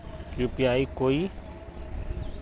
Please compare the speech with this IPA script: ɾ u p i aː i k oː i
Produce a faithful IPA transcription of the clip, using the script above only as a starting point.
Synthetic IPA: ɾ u p j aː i k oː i